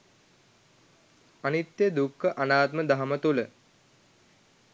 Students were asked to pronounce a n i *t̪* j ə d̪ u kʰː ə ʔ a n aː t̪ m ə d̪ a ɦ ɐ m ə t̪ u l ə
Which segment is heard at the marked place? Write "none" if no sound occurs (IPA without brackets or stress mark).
t̪